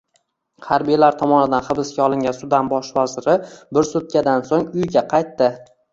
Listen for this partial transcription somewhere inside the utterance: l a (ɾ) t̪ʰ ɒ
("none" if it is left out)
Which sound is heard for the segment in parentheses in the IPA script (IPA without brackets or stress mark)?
ɾ